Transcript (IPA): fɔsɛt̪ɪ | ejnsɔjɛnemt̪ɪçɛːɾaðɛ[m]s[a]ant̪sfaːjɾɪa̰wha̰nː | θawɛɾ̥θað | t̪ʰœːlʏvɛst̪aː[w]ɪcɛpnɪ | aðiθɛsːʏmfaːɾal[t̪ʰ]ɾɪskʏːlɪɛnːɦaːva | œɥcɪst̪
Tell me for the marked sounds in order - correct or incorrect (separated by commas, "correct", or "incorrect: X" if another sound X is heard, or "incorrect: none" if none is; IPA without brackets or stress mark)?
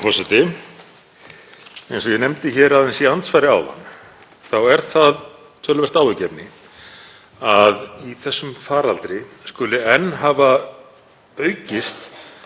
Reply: incorrect: n, incorrect: i, correct, incorrect: t̪